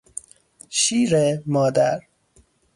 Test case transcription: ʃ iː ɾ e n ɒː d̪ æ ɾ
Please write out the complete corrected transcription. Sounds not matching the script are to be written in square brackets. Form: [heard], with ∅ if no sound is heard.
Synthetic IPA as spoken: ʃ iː ɾ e [m] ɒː d̪ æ ɾ

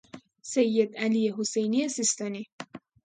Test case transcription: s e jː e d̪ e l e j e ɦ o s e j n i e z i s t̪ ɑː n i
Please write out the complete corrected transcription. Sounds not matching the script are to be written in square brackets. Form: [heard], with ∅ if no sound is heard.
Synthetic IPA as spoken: s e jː e d̪ [æ] l [i] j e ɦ o s e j n i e [s] i s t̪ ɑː n i

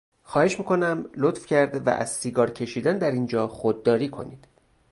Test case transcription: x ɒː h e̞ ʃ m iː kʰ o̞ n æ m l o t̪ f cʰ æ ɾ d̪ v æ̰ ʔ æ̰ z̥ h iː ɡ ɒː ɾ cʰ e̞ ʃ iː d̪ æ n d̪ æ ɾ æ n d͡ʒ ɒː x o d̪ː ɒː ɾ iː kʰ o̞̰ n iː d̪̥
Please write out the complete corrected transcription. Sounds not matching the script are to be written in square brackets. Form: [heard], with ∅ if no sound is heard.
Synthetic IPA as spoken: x ɒː h e̞ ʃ m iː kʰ o̞ n æ m l o t̪ f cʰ æ ɾ d̪ v æ̰ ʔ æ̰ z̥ [s] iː ɡ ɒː ɾ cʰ e̞ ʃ iː d̪ æ n d̪ æ ɾ [i] n d͡ʒ ɒː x o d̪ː ɒː ɾ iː kʰ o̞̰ n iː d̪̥

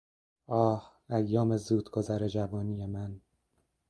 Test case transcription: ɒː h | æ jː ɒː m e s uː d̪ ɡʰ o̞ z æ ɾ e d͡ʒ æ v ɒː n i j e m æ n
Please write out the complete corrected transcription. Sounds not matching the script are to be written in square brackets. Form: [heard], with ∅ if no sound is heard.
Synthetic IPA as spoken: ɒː h | æ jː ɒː m e [z] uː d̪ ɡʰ o̞ z æ ɾ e d͡ʒ æ v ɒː n i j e m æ n

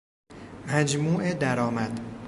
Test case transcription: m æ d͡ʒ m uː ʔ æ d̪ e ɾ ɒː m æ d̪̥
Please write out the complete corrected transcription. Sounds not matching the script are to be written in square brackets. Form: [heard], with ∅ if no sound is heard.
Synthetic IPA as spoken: m æ d͡ʒ m uː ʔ [e] d̪ [æ] ɾ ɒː m æ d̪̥

